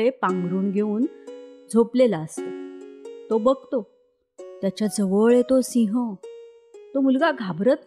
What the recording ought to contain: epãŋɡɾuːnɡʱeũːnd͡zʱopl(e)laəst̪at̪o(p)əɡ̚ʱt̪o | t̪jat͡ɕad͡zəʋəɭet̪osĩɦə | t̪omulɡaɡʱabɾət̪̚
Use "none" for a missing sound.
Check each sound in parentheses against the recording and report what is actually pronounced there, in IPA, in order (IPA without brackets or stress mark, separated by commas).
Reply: e, b